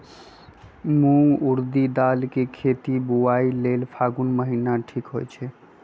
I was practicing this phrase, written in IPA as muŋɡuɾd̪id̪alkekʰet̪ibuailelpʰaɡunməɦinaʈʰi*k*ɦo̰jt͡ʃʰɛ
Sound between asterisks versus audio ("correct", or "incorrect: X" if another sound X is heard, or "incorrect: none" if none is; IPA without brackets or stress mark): correct